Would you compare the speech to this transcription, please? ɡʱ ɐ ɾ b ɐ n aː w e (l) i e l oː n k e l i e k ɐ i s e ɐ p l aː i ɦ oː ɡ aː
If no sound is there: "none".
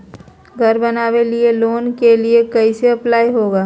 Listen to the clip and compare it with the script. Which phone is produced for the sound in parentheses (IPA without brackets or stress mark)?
l